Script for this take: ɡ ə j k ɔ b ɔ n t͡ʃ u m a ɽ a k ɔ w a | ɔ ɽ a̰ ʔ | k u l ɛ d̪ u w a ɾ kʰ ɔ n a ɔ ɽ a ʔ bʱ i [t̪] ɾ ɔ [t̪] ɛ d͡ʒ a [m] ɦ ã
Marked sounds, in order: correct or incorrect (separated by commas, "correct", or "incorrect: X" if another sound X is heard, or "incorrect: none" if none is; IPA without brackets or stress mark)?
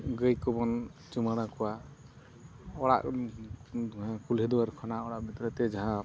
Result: correct, correct, incorrect: none